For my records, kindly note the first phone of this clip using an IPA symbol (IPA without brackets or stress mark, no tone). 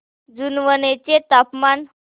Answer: d͡z